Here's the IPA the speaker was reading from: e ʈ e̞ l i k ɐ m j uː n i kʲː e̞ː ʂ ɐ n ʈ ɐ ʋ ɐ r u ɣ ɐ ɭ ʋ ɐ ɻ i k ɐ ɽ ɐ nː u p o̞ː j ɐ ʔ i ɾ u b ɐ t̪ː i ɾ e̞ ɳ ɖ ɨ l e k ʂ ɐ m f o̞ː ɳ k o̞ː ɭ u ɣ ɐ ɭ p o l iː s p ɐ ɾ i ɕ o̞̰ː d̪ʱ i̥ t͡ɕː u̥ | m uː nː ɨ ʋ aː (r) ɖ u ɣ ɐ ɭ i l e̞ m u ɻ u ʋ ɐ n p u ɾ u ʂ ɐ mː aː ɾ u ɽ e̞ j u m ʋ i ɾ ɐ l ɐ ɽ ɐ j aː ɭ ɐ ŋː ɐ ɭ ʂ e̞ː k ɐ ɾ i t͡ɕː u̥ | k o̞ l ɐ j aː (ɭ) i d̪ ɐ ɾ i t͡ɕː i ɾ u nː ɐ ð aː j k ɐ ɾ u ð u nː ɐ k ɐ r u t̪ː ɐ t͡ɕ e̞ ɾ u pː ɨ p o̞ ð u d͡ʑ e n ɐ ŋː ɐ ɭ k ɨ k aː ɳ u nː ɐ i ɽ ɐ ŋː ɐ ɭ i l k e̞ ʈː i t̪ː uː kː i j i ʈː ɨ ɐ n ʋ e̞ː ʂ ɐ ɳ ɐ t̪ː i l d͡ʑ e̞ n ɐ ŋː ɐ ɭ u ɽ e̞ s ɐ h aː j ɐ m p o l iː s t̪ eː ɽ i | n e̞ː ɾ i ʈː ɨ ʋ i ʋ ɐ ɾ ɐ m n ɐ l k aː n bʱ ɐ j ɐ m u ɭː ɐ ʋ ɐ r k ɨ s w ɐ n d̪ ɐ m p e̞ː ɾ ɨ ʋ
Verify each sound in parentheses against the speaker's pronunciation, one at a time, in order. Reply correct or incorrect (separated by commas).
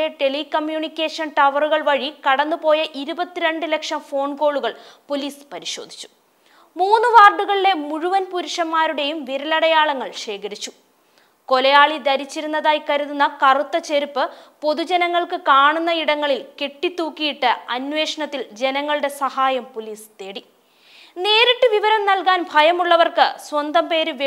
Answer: correct, correct